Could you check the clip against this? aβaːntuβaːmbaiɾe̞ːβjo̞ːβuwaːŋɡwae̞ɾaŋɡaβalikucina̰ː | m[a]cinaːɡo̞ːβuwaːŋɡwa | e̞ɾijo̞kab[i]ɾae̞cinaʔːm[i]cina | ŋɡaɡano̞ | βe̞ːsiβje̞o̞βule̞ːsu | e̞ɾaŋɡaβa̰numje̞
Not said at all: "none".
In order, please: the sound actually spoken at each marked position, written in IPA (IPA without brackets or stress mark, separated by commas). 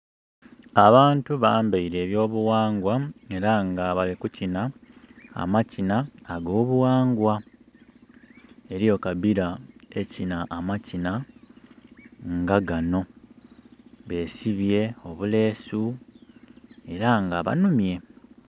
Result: a, i, a